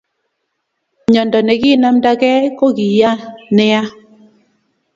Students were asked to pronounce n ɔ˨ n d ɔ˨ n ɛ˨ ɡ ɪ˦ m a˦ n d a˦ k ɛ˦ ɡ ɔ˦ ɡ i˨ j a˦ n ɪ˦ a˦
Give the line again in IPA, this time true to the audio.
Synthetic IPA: ɲ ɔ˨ n d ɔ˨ n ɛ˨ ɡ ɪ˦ n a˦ m d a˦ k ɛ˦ k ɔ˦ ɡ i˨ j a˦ n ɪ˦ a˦